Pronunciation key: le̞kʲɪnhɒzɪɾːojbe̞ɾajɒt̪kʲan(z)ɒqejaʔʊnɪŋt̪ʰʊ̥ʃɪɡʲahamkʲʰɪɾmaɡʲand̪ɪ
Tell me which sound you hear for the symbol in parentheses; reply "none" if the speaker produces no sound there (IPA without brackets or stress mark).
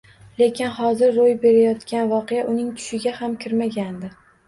v